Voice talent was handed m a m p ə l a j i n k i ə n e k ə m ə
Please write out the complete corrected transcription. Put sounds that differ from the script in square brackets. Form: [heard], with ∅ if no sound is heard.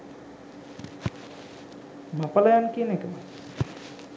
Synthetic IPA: m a [∅] p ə l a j [a] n k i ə n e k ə m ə

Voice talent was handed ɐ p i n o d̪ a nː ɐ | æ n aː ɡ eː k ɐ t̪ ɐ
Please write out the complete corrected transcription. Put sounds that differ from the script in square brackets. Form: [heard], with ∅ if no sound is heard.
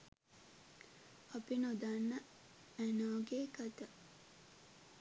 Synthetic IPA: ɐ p i n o d̪ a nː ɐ | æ n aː ɡ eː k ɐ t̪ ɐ

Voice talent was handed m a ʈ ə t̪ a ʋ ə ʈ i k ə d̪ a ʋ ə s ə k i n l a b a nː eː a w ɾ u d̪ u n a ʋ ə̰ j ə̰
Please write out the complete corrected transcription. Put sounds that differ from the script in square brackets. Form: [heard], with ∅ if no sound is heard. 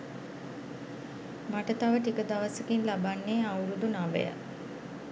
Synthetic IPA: m a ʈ ə t̪ a ʋ ə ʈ i k ə d̪ a ʋ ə s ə k i n l a b a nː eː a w ɾ u d̪ u n a ʋ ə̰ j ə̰

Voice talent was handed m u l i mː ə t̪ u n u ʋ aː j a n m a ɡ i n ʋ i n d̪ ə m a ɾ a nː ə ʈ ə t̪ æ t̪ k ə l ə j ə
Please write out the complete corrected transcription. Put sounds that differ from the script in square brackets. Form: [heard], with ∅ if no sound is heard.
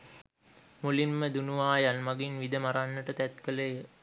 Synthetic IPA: m u l i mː ə [d̪] u n u ʋ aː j a n m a ɡ i n ʋ i [∅] d̪ ə m a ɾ a nː ə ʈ ə t̪ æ t̪ k ə l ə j ə

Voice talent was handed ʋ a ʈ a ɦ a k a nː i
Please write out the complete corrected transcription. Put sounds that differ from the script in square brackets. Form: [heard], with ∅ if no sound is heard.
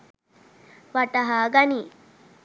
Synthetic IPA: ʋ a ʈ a ɦ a [ɡ] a [n] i

